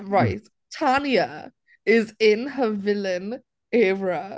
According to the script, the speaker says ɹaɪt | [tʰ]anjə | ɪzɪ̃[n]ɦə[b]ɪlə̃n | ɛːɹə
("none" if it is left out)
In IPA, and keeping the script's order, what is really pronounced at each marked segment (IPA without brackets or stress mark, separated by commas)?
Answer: tʰ, n, v